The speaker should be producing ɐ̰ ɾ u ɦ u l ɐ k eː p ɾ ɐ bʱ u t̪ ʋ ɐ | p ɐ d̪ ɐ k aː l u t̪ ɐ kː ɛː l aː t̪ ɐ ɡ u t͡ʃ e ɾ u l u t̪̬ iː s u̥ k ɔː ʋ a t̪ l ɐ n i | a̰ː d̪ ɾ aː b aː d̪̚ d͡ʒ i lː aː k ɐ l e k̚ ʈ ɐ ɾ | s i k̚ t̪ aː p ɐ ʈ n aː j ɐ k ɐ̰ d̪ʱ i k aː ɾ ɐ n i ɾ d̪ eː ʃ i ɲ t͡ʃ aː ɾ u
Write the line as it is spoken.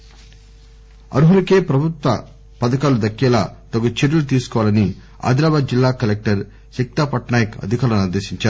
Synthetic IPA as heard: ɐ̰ ɾ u ɦ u l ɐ k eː p ɾ ɐ bʱ u t̪ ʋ ɐ | p ɐ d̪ ɐ k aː l u d̪ ɐ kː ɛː l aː t̪ ɐ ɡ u t͡ʃ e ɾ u l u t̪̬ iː s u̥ k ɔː ʋ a l ɐ n i | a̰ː d̪ ɾ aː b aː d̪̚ d͡ʒ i lː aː k ɐ l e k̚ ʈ ɐ ɾ | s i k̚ t̪ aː p ɐ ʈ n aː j ɐ k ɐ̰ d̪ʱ i k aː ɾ ɐ n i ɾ d̪ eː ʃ i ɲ t͡ʃ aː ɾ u